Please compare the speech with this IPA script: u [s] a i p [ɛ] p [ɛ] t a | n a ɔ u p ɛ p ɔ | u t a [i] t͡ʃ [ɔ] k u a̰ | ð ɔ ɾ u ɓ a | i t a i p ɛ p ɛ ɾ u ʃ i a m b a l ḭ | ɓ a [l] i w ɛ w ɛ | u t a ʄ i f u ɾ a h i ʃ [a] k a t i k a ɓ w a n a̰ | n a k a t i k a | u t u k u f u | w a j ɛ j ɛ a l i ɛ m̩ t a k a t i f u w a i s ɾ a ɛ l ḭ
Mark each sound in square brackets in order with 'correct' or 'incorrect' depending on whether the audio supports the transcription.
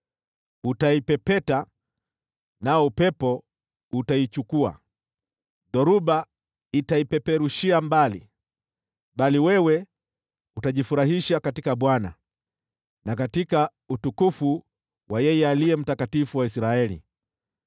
incorrect, correct, correct, correct, incorrect, correct, correct

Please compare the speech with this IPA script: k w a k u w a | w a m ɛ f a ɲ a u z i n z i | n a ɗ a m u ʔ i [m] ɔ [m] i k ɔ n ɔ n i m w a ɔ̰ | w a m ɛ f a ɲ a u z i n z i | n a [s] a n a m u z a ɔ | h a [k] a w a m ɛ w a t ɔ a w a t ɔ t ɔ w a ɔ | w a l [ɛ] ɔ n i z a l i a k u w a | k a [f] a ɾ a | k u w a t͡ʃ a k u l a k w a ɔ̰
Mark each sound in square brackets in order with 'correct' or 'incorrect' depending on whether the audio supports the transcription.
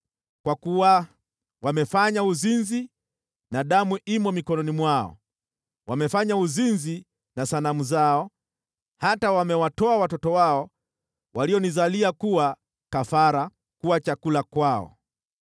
correct, correct, correct, incorrect, incorrect, correct

